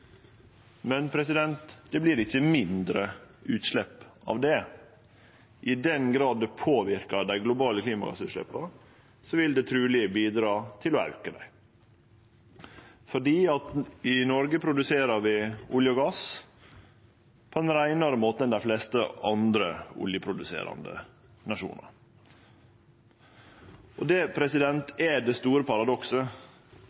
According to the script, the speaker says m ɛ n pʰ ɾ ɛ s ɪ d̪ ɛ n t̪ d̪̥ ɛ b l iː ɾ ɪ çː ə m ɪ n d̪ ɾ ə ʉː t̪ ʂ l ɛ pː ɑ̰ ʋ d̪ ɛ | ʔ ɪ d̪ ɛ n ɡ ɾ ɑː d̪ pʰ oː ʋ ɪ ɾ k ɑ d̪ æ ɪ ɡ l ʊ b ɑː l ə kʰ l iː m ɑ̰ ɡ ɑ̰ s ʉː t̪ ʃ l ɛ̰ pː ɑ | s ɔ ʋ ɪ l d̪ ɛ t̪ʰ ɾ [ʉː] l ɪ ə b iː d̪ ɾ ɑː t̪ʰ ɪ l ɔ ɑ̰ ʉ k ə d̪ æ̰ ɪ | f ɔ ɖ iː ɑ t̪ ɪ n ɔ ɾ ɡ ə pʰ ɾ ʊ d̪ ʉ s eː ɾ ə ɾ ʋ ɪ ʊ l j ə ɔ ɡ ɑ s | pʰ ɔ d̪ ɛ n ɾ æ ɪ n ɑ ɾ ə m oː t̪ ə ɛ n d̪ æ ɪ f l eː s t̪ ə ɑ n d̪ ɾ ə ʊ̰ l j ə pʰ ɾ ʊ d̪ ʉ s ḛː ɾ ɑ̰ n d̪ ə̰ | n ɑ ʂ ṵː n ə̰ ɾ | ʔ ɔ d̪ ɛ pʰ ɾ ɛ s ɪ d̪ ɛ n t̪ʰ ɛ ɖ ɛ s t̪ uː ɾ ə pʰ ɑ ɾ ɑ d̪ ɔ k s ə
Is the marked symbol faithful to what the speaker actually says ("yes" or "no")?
yes